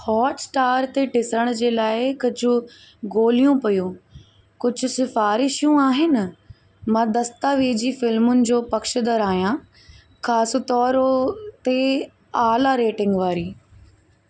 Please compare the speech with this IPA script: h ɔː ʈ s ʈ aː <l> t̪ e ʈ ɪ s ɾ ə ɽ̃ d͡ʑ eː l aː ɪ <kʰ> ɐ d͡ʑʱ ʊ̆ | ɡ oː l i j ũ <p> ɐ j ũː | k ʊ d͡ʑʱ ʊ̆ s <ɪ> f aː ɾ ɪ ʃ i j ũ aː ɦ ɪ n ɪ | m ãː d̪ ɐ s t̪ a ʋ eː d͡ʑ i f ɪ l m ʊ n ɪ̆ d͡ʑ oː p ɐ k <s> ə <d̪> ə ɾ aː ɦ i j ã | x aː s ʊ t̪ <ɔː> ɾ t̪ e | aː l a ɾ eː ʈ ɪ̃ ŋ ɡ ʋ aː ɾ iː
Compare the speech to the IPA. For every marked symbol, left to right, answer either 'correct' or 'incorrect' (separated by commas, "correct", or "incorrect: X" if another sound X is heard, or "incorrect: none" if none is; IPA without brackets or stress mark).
incorrect: ɾ, incorrect: k, correct, correct, incorrect: ʃ, correct, correct